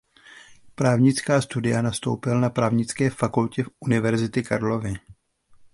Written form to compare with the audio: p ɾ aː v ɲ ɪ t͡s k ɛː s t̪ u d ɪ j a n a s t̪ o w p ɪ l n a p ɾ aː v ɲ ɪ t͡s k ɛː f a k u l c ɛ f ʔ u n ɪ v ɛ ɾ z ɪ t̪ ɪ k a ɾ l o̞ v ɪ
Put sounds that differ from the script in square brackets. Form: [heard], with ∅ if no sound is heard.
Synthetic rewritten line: p ɾ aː v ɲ ɪ t͡s k [aː] s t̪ u d ɪ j a n a s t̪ o w p ɪ l n a p ɾ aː v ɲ ɪ t͡s k ɛː f a k u l c ɛ f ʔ u n ɪ v ɛ ɾ z ɪ t̪ ɪ k a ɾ l o̞ v ɪ